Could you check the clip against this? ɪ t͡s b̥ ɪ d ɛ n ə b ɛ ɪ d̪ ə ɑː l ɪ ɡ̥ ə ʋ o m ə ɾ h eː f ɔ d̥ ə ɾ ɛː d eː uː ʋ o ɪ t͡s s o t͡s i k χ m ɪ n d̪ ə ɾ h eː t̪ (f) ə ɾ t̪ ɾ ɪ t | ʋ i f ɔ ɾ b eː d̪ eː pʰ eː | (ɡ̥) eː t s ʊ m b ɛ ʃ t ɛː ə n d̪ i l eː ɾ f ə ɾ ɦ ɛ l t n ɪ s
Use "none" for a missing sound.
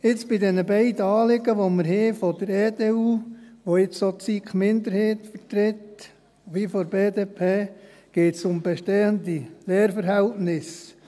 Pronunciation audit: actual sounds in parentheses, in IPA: f, ɡ̥

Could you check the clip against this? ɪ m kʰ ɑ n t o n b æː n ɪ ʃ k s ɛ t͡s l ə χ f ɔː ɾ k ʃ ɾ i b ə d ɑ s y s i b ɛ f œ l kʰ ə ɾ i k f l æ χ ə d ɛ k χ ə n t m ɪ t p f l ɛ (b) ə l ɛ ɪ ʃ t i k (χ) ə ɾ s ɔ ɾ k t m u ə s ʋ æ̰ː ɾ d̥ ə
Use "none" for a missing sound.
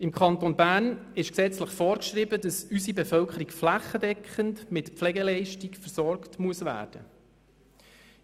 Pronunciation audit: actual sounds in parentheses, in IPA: ɡ, f

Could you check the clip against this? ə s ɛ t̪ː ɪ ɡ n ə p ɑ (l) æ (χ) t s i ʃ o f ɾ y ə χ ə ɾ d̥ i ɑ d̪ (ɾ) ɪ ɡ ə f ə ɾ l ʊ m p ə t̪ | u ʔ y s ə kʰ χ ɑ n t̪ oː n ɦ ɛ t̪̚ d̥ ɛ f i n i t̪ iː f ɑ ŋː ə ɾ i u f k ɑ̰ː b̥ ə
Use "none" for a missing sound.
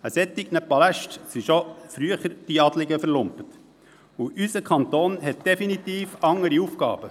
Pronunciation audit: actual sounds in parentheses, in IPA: l, ʃ, l

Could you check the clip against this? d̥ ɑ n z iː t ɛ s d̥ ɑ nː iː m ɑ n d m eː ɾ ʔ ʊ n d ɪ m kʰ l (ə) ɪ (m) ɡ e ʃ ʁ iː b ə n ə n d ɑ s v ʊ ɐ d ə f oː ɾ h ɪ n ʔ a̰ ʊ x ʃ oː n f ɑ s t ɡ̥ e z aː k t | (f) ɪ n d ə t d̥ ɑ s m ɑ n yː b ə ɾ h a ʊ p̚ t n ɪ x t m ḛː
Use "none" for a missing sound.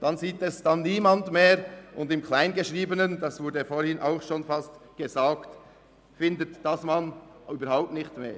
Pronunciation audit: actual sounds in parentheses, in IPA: a, n, f

